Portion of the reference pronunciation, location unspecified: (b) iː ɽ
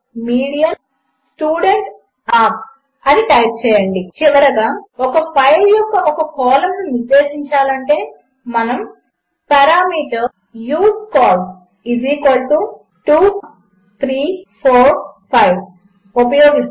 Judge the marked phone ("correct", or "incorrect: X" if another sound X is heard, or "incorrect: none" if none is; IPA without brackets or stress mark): incorrect: m